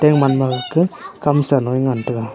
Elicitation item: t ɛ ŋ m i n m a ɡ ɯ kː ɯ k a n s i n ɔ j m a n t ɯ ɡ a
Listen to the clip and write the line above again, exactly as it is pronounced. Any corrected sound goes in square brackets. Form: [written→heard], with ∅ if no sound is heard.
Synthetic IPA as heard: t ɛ ŋ m [i→a] n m a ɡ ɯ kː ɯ k a [n→m] s [i→a] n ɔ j [m→ŋ] a n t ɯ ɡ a